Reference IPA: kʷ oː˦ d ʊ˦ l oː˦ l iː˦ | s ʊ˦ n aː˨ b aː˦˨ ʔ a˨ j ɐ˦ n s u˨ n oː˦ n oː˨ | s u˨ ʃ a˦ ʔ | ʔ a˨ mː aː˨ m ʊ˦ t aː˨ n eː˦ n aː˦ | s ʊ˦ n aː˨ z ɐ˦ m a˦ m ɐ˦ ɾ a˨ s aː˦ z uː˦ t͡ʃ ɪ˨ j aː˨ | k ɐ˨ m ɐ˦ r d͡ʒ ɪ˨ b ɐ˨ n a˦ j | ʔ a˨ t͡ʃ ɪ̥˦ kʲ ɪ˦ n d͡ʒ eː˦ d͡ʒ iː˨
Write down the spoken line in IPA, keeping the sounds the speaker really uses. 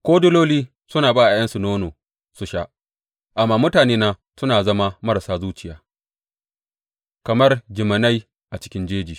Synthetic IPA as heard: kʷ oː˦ d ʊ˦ l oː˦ l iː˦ | s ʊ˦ n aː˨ b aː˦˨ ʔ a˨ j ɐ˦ n s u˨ n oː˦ n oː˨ | s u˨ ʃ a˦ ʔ | ʔ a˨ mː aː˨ m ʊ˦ t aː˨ n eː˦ n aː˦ | s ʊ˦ n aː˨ z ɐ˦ m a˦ m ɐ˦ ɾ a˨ s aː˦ z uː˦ t͡ʃ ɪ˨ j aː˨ | k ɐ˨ m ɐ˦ r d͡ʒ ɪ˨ m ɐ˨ n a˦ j | ʔ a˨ t͡ʃ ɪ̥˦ kʲ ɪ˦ n d͡ʒ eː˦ d͡ʒ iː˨